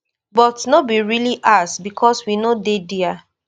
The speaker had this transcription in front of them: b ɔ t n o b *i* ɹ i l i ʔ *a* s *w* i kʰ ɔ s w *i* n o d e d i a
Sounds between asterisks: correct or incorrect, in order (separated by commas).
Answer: correct, correct, incorrect, correct